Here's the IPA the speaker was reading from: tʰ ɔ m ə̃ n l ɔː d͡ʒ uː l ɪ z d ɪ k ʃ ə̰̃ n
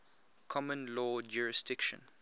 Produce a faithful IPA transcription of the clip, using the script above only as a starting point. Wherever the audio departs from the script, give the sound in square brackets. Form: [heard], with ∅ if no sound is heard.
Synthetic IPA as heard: [kʰ] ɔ m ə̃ n l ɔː d͡ʒ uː [ɹ] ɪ [s] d ɪ k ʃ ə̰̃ n

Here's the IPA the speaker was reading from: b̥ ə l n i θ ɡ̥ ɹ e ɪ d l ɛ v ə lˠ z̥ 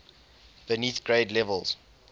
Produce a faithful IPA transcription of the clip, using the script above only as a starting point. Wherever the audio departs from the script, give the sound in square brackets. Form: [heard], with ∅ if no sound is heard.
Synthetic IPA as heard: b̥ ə [∅] n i θ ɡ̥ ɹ e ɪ d l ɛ v ə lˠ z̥

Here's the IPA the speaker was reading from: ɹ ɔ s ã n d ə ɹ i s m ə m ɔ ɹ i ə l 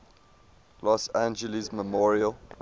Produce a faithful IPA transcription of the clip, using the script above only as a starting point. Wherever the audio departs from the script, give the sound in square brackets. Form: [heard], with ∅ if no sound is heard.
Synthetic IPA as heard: [l] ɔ s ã n [d͡ʒ] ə [l] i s m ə m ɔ ɹ i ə l

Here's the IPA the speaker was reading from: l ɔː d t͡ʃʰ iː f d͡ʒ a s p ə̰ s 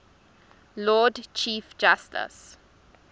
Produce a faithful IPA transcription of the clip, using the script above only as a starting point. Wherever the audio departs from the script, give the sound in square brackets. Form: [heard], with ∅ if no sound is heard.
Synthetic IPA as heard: l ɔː d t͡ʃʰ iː f d͡ʒ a s [t] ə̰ s

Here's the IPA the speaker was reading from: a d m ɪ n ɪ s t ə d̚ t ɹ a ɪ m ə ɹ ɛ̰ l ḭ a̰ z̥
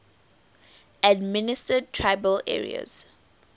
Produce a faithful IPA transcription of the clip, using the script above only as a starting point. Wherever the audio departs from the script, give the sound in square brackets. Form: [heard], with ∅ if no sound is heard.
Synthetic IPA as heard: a d m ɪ n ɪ s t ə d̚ [tʰ] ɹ a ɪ [b] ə [l] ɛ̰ [ɹ] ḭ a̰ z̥

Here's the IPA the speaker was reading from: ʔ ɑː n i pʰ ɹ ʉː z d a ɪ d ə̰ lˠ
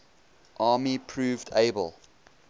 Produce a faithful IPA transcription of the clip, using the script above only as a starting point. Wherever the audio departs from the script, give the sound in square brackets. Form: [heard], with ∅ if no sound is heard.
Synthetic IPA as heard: ʔ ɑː [m] i pʰ ɹ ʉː [v] d [e] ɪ [b] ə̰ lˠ

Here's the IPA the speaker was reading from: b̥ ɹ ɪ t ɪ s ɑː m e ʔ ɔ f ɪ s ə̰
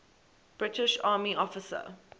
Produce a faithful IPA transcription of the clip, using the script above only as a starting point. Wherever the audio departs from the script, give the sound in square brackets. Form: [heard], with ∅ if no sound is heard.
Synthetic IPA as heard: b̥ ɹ ɪ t ɪ [ʃ] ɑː m [i] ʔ ɔ f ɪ s ə̰

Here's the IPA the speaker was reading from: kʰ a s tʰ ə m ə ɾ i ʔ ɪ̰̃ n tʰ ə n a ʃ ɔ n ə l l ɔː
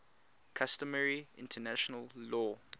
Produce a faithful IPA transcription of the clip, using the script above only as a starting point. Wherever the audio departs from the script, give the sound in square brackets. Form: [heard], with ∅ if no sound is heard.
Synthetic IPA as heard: kʰ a s [t] ə m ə [ɹ] i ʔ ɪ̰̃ n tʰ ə n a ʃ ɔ n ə l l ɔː

